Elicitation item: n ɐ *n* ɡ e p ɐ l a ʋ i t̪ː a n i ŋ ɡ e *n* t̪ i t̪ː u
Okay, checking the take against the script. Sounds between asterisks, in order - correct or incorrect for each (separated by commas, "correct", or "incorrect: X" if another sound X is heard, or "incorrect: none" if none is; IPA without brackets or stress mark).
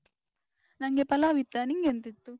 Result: incorrect: ŋ, correct